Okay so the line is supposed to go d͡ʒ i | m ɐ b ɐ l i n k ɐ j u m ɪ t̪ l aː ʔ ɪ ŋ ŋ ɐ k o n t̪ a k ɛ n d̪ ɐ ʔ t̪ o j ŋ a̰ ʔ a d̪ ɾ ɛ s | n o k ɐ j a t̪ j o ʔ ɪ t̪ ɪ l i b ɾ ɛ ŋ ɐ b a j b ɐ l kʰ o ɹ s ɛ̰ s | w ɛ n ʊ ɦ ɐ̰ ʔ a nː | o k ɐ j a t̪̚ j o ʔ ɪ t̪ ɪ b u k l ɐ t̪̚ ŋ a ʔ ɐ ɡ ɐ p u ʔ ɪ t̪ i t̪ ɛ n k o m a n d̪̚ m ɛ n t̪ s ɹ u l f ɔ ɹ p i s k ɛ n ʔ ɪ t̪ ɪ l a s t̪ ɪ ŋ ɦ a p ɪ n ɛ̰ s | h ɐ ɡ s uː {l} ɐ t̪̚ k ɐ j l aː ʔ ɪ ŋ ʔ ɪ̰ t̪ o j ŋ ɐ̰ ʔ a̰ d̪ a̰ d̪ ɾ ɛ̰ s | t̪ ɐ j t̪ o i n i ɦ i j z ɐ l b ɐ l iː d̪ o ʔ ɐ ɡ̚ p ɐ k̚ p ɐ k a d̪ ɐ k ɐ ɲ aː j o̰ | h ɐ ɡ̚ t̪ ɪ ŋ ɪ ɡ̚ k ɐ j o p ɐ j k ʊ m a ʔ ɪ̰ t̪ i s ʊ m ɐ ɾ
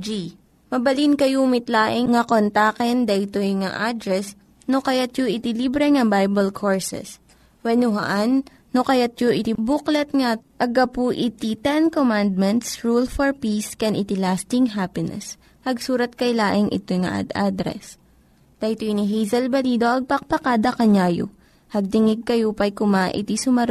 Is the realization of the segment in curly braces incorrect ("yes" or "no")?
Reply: yes